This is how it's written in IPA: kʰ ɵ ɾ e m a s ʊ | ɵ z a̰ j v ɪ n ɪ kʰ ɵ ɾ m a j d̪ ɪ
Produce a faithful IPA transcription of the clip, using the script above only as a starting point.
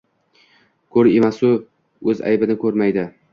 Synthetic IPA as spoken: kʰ ɵ ɾ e m a s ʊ | ɵ z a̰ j b ɪ n ɪ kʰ ɵ ɾ m a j d̪ ɪ